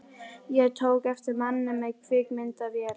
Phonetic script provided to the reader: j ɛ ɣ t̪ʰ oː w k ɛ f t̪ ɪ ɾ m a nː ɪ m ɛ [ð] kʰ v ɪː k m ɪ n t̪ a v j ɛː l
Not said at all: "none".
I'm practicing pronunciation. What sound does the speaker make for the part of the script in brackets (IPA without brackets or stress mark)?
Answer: ɣ